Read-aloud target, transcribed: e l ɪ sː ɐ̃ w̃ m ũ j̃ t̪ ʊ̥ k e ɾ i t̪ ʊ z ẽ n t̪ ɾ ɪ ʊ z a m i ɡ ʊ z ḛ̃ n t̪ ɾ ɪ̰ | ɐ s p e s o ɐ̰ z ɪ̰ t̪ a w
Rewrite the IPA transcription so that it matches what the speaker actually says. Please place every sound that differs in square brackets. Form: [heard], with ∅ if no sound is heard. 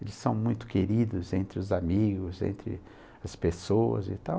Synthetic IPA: e l ɪ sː ɐ̃ w̃ m ũ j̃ t̪ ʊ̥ k e ɾ i [d̪] ʊ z ẽ n t̪ ɾ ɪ ʊ z a m i ɡ ʊ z ḛ̃ n t̪ ɾ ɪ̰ | ɐ s p e s o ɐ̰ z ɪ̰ t̪ a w